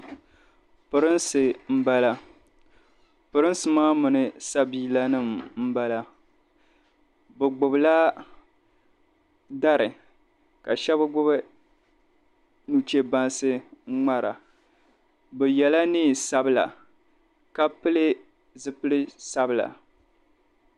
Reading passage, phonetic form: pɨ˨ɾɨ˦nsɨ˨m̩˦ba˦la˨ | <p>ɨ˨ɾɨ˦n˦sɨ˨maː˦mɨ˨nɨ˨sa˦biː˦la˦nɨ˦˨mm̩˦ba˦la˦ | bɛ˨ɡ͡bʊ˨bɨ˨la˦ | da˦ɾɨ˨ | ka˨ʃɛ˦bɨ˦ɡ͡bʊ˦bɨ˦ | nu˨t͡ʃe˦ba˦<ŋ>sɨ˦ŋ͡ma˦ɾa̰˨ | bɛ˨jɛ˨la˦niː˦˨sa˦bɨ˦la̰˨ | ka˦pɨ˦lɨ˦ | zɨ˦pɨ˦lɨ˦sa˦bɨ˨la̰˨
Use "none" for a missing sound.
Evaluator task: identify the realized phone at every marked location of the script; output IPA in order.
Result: p, n

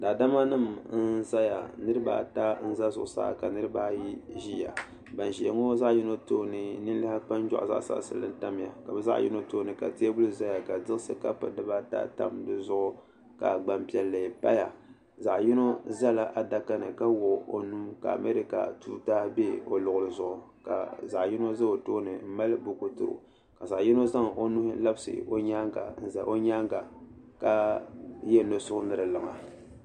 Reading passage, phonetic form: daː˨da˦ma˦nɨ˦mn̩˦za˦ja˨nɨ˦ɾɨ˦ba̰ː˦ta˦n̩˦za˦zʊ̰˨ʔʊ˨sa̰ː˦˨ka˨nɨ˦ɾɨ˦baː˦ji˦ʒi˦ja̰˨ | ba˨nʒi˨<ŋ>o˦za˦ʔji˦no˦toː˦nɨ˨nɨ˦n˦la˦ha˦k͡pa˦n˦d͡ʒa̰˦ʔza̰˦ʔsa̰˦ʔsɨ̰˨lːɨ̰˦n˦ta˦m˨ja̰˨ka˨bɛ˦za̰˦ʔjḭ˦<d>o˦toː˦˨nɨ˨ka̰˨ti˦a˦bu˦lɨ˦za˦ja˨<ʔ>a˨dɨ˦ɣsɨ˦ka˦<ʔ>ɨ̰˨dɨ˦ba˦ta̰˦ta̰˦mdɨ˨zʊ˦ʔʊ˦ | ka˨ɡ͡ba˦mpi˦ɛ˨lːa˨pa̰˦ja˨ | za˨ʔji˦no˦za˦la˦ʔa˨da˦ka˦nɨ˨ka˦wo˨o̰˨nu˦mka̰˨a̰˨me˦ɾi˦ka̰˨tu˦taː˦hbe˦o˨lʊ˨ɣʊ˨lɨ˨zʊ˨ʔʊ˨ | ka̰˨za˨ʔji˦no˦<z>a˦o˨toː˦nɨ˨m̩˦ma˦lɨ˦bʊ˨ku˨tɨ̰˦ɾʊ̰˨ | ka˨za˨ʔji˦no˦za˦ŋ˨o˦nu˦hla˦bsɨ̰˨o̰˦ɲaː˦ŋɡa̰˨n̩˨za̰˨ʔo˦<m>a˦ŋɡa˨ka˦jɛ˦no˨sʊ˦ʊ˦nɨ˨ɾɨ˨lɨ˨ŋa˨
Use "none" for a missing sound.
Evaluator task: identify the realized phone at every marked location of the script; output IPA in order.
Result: ŋ, n, k, p, z, ɲ

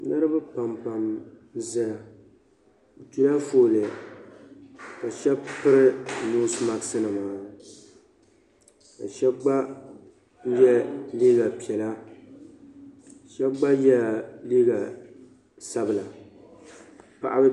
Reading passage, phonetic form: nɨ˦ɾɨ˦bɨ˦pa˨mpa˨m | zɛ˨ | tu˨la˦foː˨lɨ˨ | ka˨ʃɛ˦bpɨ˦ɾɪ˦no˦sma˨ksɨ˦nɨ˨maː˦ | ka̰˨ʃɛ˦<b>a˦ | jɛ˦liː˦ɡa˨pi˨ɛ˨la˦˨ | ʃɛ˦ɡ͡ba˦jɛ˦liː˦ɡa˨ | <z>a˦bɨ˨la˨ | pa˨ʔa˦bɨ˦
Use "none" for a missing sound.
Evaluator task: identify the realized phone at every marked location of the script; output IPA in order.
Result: ɡ͡b, s

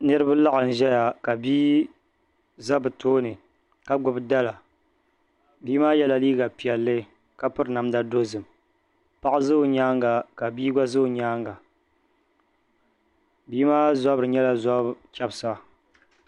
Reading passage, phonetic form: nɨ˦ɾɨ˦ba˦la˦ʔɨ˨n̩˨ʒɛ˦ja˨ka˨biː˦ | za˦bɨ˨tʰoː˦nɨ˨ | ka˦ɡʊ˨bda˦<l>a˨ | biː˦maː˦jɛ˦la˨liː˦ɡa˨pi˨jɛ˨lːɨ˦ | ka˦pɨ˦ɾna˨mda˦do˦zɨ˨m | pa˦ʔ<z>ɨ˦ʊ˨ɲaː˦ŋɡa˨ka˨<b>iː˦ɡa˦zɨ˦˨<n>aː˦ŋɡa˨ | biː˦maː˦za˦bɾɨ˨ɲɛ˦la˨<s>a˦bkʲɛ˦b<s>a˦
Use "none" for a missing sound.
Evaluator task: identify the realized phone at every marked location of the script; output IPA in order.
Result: l, z, b, ɲ, z, s

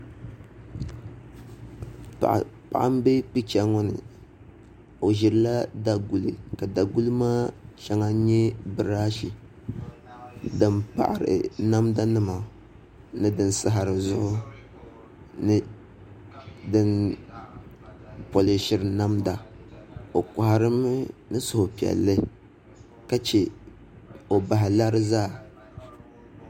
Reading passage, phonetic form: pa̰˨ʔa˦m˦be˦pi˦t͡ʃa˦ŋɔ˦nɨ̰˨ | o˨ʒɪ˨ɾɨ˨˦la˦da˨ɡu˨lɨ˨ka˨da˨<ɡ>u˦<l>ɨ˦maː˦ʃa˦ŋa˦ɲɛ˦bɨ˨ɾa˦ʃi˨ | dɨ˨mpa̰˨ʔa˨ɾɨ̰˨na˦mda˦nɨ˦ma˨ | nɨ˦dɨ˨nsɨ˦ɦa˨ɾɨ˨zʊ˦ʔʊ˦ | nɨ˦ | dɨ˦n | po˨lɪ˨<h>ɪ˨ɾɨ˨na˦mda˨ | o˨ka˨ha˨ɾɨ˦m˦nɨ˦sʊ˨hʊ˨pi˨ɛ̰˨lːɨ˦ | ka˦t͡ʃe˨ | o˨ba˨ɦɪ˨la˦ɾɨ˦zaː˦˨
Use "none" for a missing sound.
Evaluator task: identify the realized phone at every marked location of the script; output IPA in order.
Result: ɡ, l, ʃ

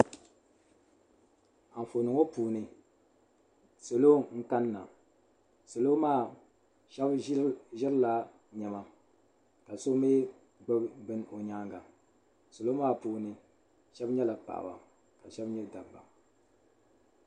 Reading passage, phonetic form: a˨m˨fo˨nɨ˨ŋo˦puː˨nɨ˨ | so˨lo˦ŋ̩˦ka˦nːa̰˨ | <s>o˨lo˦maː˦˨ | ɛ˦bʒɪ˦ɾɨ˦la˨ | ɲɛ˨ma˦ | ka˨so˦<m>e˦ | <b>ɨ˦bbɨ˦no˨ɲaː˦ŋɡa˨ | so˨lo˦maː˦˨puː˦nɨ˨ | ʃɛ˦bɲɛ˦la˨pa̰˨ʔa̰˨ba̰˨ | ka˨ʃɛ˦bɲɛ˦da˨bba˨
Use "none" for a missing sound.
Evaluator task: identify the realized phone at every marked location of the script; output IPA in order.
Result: s, m, ɡ͡b

